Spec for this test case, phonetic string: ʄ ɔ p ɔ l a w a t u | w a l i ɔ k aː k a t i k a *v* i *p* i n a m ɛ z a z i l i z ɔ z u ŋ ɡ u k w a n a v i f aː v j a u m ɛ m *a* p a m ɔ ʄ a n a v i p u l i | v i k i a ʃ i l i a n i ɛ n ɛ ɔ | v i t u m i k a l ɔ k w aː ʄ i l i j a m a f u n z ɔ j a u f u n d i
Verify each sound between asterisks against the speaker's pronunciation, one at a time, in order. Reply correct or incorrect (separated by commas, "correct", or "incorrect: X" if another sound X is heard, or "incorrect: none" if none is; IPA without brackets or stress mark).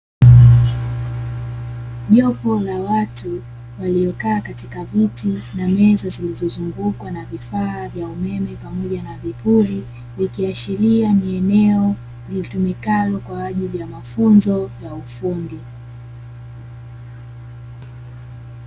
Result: correct, incorrect: t, incorrect: ɛ